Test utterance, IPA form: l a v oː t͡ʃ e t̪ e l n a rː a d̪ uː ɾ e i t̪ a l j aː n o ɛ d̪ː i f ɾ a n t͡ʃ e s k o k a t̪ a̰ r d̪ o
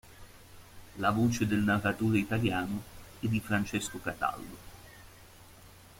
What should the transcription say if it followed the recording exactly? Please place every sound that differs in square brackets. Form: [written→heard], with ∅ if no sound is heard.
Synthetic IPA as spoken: l a v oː t͡ʃ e [t̪→d̪] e l n a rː a [d̪→t̪] uː ɾ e i t̪ a l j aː n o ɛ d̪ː i f ɾ a n t͡ʃ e s k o k a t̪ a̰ [r→l] d̪ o